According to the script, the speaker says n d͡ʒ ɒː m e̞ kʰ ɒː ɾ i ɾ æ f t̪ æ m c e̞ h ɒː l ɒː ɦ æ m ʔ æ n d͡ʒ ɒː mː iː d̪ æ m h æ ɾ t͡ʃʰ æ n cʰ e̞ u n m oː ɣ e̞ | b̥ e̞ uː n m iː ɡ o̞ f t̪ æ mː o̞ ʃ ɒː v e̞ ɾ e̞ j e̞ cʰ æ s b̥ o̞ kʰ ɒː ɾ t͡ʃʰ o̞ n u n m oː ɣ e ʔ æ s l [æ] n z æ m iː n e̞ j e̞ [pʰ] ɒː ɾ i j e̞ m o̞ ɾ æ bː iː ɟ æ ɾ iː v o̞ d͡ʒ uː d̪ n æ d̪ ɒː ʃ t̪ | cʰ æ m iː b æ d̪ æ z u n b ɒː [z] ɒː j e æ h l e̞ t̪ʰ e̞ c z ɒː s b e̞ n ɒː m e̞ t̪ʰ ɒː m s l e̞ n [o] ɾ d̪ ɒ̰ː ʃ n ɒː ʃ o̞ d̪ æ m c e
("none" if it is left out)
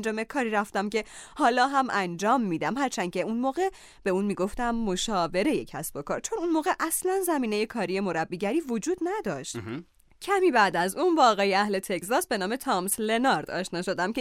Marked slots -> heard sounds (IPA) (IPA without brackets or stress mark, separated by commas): æ, kʰ, ɣ, ɒ